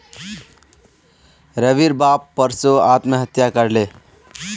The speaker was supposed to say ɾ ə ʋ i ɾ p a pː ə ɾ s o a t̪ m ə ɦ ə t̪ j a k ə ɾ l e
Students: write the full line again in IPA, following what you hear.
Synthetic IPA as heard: ɾ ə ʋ i ɾ b a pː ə ɾ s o a t̪ m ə ɦ ə t̪ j a k ə ɾ l e